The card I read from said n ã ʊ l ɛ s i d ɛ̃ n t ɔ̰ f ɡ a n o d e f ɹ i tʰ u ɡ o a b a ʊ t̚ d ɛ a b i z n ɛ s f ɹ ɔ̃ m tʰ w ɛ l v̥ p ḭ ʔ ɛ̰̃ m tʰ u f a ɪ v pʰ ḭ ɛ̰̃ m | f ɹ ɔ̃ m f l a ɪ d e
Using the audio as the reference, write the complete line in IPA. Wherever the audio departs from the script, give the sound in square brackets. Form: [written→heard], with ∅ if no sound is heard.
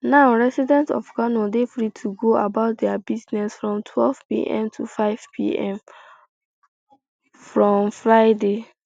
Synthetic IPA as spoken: n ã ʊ [l→ɹ] ɛ s i d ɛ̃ n t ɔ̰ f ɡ a n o d e f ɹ i tʰ u ɡ o a b a ʊ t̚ d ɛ a b i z n ɛ s f ɹ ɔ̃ m tʰ w ɛ l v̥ p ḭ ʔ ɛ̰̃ m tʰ u f a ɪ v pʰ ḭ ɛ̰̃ m | f ɹ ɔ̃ m f [l→ɹ] a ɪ d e